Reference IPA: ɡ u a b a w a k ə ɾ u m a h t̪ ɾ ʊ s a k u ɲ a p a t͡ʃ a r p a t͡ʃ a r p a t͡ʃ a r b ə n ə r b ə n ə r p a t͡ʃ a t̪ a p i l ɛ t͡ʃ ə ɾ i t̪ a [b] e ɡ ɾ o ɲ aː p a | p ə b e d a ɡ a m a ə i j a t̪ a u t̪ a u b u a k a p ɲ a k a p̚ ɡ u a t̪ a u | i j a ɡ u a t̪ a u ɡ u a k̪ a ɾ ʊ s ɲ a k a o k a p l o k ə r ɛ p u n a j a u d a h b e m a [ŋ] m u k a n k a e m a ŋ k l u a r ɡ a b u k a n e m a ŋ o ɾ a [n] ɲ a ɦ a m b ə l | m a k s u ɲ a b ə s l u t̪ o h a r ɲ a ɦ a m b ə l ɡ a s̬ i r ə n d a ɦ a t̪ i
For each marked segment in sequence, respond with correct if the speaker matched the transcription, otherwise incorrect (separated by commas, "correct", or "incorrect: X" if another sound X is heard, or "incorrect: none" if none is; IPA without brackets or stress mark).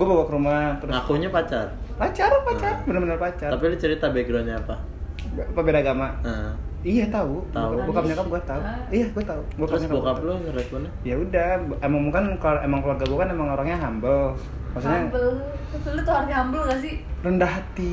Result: correct, correct, incorrect: ŋ